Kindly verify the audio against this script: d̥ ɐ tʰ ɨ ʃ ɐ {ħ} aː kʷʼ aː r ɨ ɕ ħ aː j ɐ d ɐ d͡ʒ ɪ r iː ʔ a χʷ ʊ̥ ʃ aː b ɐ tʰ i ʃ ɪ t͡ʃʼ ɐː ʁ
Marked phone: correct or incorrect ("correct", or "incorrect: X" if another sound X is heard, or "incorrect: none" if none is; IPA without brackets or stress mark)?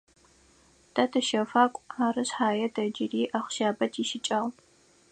incorrect: f